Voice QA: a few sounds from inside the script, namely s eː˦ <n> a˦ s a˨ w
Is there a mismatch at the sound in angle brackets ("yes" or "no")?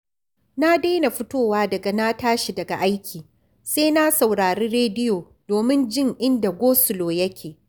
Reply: no